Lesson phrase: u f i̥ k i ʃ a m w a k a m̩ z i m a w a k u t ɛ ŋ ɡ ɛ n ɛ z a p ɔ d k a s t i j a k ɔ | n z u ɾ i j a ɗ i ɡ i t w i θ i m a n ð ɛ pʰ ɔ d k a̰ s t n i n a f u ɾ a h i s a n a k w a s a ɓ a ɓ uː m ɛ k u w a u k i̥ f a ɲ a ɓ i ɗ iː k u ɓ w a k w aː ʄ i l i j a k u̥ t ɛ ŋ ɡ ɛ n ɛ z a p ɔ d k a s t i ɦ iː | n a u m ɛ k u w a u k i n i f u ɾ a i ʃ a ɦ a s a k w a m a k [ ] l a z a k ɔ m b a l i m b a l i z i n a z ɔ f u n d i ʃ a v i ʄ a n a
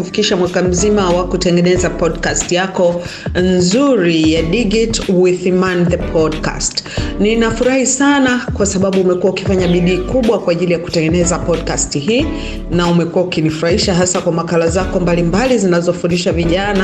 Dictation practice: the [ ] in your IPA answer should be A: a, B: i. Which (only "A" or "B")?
A